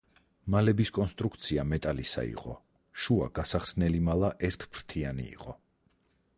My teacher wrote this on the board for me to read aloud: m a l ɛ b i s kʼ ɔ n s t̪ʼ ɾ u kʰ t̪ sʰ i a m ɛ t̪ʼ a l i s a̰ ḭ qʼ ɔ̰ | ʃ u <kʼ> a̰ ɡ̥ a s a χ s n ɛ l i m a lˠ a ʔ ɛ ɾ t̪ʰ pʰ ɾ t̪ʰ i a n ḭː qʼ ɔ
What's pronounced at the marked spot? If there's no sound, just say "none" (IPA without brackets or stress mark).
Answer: none